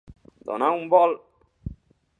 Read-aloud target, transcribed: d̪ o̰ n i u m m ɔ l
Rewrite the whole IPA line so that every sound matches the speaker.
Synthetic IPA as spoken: d̪ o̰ n a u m b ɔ l